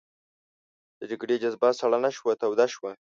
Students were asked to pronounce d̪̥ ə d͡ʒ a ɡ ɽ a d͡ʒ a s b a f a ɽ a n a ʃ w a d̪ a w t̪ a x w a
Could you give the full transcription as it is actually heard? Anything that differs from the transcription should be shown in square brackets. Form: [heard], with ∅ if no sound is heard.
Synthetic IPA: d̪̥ ə d͡ʒ a ɡ ɽ [e] d͡ʒ a [z] b a [s] a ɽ a n a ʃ w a [t̪] a w [d̪] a [ʃ] w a